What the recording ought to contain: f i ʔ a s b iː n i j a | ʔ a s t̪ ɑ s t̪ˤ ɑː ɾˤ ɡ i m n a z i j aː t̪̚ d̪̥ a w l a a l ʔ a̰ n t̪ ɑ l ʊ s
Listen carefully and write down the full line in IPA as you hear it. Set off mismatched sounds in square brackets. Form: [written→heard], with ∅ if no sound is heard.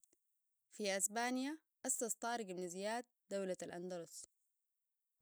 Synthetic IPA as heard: f i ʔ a s b [iː→aː] n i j a | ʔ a s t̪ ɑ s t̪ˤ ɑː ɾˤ ɡ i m n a z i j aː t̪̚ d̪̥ a w l a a l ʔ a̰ n [t̪→d̪] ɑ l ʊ s